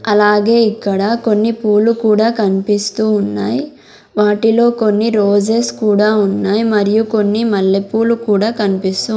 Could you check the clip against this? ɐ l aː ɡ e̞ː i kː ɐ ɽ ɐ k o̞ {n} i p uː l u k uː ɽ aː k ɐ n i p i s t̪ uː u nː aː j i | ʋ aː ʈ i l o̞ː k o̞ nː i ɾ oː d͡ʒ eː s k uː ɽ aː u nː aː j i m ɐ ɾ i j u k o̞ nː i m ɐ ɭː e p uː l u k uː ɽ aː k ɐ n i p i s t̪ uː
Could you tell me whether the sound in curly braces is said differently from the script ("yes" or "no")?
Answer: yes